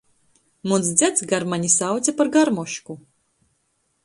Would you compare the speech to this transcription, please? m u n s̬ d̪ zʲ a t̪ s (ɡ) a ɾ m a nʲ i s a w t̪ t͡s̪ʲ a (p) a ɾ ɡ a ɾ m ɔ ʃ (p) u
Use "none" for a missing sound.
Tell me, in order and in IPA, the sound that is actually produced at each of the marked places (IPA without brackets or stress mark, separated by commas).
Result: ɡ, p, k